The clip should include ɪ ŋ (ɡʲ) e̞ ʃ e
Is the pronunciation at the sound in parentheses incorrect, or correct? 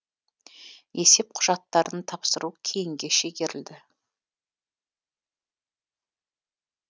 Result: correct